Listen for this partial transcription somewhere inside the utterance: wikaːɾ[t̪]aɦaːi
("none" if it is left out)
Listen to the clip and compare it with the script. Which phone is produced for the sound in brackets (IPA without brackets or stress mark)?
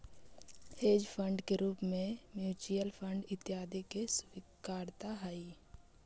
t̪